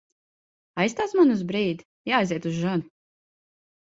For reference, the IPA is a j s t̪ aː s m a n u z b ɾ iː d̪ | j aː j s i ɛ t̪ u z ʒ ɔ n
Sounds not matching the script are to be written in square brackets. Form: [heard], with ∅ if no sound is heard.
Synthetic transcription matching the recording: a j s t̪ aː s m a n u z b ɾ iː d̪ | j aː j [z] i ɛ t̪ u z ʒ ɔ n